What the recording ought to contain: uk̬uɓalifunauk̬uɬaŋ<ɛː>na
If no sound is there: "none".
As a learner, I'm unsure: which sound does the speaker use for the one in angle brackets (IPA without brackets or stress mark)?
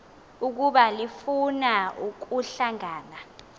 aː